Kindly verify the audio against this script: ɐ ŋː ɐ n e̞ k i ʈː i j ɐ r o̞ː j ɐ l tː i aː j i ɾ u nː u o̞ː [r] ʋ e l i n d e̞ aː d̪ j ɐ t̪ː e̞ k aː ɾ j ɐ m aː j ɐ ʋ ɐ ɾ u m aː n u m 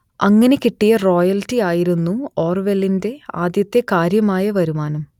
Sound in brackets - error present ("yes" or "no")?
no